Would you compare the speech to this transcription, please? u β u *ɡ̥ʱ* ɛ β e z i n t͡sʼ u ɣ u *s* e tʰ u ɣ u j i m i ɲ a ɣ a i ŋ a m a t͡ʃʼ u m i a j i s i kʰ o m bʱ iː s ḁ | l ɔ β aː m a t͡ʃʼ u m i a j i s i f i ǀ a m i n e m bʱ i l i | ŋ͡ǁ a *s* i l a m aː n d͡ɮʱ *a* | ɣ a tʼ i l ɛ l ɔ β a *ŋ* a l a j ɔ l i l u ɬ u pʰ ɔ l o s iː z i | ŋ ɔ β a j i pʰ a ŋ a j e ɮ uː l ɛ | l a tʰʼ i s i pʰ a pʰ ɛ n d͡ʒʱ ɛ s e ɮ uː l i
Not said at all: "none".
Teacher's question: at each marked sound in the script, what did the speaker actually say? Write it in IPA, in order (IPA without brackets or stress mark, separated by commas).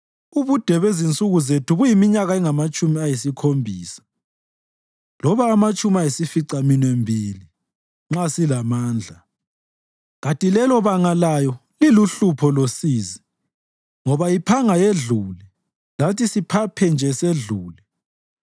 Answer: d̥ʱ, z, s, a, ŋ